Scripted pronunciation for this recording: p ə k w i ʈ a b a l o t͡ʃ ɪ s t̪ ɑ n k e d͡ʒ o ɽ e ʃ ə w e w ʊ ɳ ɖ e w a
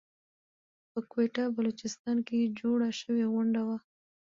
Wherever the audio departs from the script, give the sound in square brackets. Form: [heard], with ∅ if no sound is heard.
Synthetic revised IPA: p ə k w [e] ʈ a b a l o t͡ʃ ɪ s t̪ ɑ n k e d͡ʒ o ɽ [a] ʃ ə w e [ɣ] ʊ ɳ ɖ [a] w a

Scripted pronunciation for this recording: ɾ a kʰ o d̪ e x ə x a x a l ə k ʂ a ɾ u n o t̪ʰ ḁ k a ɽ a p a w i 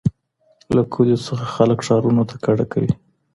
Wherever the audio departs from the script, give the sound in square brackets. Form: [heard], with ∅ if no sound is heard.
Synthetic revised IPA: [l] a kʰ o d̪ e [s] ə x a x a l ə k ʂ [ɑ] ɾ u n o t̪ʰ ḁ k a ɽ a [k] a w i

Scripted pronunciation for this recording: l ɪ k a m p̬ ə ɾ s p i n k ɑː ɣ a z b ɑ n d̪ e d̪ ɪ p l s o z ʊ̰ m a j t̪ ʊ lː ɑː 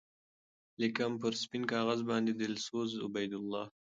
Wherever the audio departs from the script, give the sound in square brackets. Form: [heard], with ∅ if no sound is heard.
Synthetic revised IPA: l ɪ k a m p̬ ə ɾ s p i n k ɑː ɣ a z b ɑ n d̪ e d̪ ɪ [∅] l s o z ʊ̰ [b] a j [d̪] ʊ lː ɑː

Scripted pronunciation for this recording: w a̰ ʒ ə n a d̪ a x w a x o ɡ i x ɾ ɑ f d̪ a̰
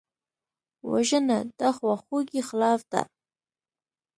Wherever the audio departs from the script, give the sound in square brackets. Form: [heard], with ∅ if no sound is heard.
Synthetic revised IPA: w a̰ ʒ ə n a d̪ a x w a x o ɡ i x [l] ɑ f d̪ a̰

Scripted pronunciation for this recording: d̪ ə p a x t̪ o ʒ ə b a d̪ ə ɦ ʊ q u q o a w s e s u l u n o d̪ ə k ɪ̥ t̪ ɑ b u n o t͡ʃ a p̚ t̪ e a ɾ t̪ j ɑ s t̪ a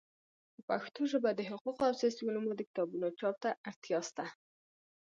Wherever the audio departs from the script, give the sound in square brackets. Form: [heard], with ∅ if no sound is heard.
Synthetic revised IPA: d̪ ə p a x t̪ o ʒ ə b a d̪ ə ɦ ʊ q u q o a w s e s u l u [m] o d̪ ə k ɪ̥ t̪ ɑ b u n o t͡ʃ [ɑ] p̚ t̪ [a] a ɾ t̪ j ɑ s t̪ a

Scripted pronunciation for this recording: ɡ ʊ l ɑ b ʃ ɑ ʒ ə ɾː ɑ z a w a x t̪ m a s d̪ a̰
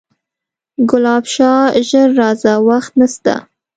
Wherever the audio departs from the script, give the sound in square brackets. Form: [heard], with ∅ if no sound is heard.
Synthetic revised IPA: ɡ ʊ l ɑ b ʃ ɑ ʒ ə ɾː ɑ z a w a x t̪ [n] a s [t̪] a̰

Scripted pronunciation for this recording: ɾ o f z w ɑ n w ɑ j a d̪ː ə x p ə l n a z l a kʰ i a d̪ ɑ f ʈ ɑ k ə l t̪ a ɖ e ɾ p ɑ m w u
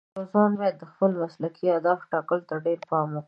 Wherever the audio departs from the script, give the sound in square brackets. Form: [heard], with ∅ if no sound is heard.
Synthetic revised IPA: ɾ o [∅] z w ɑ n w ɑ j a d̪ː ə x p ə l [m] a [s] l a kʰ i a d̪ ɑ f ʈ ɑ k ə l t̪ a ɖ e ɾ p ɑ m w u

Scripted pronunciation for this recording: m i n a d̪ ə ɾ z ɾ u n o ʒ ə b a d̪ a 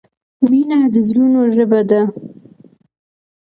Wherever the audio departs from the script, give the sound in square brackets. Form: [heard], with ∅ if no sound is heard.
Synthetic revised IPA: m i n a d̪ ə [∅] z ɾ u n o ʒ ə b a d̪ a

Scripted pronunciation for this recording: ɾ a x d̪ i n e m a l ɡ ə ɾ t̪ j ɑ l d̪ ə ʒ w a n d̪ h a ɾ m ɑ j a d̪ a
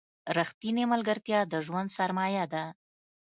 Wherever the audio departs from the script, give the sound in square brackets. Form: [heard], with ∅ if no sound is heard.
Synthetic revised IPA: ɾ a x [t̪] i n e m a l ɡ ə ɾ t̪ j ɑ [∅] d̪ ə ʒ w a n d̪ [s] a ɾ m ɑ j a d̪ a

